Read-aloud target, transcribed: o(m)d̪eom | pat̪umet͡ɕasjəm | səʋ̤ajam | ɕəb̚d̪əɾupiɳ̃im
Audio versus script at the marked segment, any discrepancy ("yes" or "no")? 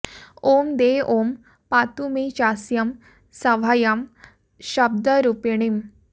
no